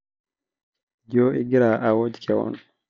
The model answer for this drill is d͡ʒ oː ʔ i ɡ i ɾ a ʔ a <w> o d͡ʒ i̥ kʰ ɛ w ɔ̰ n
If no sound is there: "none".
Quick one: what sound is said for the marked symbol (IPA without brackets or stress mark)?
w